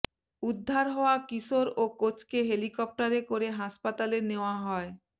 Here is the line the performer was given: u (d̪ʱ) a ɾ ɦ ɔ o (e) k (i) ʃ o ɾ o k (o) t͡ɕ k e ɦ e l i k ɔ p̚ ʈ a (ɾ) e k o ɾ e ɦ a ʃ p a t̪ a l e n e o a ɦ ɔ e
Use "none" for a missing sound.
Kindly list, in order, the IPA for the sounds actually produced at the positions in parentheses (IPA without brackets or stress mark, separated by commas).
d̪ʱː, a, i, o, ɾ